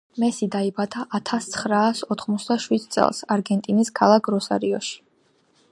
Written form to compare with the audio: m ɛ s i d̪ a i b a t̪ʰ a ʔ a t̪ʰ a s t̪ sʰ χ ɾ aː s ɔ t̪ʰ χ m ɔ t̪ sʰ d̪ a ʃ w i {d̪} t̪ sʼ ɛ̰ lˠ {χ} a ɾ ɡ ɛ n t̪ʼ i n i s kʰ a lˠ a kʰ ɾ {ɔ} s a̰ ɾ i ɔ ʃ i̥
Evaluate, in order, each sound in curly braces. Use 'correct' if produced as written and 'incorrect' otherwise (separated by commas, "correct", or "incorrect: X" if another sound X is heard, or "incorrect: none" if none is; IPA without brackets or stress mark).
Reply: correct, incorrect: s, correct